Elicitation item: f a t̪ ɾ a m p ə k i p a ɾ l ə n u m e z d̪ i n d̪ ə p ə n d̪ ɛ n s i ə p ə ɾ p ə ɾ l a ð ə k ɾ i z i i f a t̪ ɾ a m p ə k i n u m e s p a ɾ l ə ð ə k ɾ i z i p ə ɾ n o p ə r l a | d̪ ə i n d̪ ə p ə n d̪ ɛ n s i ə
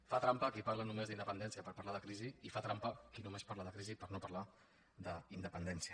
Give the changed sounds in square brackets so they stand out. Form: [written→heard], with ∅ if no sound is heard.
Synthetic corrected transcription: f a t̪ ɾ a m p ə k i p a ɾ l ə n u m e z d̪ i n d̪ ə p ə n d̪ ɛ n s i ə p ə ɾ p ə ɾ l a ð ə k ɾ i z i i f a t̪ ɾ a m p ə k i n u m e s p a ɾ l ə ð ə k ɾ i z i p ə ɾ n o p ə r l a | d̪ ə i n d̪ ə p ə n d̪ ɛ n s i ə